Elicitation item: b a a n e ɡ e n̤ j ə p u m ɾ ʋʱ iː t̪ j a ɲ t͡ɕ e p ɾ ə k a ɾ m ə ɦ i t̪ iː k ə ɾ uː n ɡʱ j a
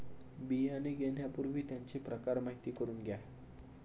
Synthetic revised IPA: b i a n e ɡ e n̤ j a p u ɾ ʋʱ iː t̪ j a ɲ t͡ɕ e p ɾ ə k a ɾ m a ɦ i t̪ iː k ə ɾ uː n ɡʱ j a